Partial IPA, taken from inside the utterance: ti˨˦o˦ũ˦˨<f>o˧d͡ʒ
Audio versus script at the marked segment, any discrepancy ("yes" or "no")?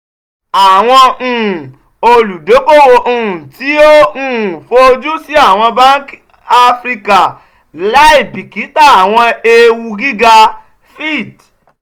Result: no